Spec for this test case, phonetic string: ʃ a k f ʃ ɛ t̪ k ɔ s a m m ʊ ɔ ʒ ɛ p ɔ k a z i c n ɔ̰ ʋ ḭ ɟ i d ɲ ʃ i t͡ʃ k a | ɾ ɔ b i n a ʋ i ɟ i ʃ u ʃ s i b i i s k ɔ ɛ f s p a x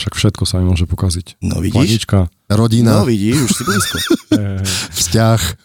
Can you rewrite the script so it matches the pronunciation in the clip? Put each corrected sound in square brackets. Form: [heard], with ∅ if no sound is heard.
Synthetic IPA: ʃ a k f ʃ ɛ t̪ k ɔ s a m m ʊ ɔ ʒ ɛ p ɔ k a z i c n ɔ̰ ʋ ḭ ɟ i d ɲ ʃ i t͡ʃ k a | ɾ ɔ [ɟ] i n a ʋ i ɟ i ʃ u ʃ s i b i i s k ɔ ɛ f s [c] a x